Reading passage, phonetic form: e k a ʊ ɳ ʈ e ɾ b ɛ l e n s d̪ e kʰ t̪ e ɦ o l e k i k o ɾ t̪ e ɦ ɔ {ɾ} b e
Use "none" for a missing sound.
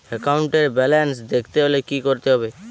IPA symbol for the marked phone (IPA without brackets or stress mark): none